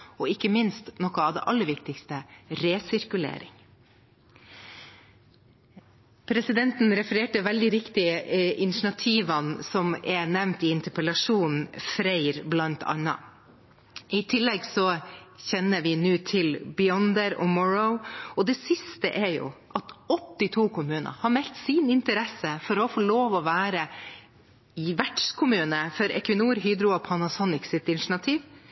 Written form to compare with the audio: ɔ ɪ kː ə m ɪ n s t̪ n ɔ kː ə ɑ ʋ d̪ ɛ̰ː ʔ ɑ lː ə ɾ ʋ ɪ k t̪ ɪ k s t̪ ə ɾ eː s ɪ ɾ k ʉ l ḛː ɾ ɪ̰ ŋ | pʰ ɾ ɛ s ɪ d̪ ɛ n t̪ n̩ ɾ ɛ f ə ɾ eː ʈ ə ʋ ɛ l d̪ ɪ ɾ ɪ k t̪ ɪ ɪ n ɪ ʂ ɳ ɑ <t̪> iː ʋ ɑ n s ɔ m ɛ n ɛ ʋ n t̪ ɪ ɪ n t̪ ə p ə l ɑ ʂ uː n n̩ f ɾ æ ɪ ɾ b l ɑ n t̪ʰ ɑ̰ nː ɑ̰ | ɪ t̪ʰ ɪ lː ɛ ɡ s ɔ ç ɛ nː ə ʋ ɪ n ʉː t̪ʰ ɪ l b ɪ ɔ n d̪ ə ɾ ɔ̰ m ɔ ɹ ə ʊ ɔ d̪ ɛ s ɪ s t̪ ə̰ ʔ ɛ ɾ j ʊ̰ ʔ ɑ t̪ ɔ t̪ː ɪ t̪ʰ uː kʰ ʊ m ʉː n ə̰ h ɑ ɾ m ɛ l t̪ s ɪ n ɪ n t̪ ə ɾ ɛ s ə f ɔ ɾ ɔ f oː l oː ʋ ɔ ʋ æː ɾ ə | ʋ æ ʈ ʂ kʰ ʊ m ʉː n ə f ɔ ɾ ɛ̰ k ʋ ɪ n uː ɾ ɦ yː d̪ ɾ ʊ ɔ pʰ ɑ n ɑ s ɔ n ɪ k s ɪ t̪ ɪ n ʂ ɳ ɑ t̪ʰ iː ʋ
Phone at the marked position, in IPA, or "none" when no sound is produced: t̪ʰ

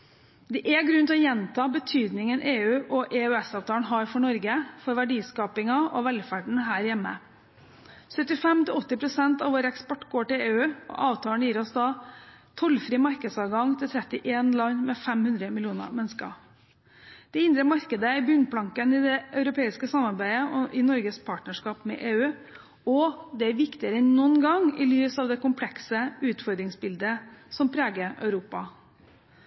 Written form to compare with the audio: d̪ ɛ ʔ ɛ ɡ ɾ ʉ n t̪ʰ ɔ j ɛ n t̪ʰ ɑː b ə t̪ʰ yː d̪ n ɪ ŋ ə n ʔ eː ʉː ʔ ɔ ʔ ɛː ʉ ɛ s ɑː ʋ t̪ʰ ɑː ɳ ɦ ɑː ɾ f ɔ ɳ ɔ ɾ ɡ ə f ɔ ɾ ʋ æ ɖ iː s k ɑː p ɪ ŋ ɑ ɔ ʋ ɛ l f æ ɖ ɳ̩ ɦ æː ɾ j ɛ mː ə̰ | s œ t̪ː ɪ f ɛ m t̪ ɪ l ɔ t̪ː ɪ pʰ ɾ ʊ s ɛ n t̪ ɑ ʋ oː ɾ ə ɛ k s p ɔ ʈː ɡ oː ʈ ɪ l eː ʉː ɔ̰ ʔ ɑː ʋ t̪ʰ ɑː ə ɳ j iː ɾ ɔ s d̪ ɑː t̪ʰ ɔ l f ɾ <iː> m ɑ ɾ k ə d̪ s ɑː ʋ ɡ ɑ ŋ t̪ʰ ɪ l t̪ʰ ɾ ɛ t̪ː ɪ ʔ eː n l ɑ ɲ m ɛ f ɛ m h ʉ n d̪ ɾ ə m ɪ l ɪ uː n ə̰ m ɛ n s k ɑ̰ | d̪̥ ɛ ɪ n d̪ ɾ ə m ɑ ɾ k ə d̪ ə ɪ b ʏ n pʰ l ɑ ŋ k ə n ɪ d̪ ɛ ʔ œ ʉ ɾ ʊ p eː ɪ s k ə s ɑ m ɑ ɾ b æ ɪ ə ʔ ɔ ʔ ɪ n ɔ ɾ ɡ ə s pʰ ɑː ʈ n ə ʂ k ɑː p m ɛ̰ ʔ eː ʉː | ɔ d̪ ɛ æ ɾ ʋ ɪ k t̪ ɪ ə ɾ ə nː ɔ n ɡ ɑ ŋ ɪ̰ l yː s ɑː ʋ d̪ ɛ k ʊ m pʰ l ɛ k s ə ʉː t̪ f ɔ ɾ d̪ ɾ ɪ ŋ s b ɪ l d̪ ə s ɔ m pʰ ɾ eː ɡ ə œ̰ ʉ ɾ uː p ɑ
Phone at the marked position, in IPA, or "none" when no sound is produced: iː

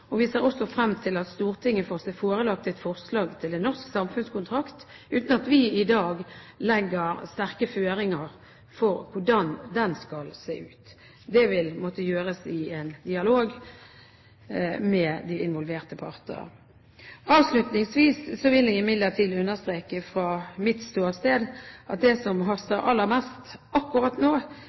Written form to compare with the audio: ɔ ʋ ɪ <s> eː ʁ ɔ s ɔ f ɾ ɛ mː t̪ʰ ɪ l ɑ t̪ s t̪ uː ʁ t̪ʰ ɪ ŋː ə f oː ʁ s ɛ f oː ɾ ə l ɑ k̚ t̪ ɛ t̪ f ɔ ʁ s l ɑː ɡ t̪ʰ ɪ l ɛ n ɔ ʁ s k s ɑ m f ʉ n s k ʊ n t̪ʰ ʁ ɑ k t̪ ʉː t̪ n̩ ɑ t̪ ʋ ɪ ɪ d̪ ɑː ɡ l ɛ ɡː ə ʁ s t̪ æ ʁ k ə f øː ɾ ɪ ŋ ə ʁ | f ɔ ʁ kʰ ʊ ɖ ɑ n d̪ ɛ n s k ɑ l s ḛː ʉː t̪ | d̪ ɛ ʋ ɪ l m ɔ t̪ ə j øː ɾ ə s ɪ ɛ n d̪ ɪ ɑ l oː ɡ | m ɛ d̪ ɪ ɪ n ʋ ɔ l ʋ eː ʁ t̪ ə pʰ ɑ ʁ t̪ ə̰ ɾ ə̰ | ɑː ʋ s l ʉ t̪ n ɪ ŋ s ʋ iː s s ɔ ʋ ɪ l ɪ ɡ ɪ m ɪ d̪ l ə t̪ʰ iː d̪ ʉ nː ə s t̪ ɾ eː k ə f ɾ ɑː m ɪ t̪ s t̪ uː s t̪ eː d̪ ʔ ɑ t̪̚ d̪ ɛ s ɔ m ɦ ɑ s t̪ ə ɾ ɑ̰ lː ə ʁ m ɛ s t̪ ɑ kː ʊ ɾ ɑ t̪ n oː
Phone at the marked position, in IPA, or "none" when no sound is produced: s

